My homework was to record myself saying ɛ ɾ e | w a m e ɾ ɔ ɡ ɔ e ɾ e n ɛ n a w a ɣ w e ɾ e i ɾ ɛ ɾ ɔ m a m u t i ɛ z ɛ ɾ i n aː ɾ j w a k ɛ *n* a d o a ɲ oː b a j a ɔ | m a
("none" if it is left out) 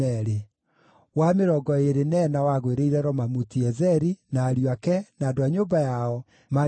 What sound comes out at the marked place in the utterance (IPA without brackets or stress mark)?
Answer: n